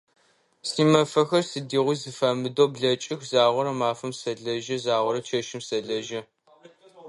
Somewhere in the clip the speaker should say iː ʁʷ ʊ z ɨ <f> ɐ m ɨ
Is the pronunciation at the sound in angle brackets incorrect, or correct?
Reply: correct